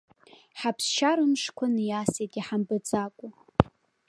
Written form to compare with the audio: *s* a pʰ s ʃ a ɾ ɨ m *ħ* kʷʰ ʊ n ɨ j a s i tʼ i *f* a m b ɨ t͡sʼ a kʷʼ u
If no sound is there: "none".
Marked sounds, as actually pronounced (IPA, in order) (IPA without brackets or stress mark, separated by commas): ħ, ʂ, ħ